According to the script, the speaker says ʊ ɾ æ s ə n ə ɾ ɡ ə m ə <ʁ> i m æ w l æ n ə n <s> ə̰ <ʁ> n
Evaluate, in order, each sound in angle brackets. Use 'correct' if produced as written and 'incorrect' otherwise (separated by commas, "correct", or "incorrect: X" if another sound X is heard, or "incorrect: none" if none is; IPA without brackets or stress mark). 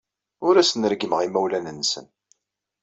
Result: correct, correct, incorrect: none